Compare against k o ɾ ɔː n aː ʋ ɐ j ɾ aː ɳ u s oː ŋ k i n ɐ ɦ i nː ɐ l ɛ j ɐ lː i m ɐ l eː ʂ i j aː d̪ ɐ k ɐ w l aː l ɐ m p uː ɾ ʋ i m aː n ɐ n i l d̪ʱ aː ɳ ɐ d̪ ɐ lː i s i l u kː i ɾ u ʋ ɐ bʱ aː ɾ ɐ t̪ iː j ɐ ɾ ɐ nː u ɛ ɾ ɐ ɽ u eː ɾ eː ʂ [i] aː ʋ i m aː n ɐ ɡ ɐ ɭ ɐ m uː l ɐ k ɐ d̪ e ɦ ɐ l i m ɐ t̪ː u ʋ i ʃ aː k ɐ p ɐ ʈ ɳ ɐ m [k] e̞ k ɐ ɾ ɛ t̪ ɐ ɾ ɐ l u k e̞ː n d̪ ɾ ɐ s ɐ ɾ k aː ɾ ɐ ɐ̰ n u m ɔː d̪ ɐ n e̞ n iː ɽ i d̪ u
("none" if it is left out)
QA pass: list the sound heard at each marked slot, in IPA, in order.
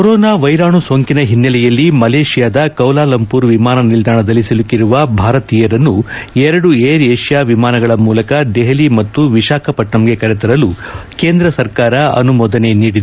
j, ɡ

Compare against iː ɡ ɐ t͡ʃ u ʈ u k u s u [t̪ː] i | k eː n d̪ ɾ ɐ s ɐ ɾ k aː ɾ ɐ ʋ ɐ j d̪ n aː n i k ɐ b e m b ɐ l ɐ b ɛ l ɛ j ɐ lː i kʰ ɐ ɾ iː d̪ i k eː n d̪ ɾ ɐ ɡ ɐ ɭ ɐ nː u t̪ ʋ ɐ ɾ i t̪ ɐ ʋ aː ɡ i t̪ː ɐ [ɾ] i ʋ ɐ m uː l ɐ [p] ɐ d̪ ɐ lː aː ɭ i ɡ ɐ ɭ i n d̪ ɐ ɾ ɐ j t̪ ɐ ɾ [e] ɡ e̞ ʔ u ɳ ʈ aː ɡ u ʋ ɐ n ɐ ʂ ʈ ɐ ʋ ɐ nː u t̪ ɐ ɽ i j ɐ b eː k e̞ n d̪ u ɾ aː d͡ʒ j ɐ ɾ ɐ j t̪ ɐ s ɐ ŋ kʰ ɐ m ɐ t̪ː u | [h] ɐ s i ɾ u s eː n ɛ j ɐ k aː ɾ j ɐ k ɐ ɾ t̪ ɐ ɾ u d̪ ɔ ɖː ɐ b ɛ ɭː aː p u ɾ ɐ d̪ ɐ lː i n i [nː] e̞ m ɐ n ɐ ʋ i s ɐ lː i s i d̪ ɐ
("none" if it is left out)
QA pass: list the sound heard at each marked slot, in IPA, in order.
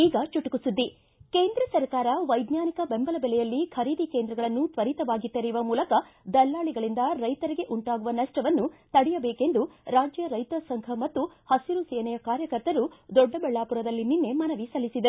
d̪ː, ɾ, k, i, h, nː

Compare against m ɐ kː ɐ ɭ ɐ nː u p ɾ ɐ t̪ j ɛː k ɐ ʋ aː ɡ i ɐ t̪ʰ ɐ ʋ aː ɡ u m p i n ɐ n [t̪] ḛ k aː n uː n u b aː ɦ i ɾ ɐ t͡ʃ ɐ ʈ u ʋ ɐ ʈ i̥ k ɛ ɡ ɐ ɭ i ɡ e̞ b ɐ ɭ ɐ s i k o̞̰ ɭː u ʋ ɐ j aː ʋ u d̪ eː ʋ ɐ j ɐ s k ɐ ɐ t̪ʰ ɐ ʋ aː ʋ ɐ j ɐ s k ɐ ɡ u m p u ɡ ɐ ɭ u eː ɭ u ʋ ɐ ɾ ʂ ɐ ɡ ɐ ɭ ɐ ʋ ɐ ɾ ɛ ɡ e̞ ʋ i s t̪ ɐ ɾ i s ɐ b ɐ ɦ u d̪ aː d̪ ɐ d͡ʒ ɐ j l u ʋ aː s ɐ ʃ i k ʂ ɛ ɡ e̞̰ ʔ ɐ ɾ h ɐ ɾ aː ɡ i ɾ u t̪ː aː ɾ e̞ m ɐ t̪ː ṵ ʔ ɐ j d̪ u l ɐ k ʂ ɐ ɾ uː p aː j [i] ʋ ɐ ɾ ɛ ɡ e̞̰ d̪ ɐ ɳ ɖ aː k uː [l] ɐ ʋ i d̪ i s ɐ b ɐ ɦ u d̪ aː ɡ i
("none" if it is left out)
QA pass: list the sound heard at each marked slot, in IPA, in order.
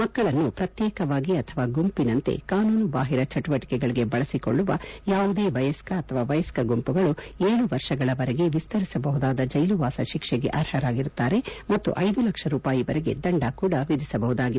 t̪, i, ɽ

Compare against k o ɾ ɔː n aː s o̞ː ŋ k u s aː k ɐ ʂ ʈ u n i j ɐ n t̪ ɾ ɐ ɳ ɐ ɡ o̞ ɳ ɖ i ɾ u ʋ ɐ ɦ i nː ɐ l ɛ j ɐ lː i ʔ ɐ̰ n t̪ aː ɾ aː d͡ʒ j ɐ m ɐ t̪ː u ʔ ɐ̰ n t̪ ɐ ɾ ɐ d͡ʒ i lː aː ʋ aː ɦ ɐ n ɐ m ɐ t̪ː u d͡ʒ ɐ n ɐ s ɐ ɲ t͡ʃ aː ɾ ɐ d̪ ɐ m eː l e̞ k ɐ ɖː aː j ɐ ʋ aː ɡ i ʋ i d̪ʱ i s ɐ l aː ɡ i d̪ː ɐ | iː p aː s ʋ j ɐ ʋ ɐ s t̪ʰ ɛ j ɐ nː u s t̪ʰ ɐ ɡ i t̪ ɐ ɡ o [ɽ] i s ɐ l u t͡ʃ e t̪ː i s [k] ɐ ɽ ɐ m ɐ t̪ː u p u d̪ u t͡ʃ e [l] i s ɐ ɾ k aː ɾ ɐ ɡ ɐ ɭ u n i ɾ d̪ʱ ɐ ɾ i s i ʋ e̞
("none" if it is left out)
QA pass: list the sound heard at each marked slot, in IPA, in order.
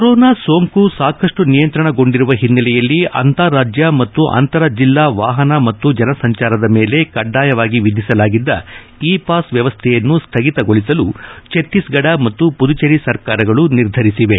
ɭ, ɡ, ɾ

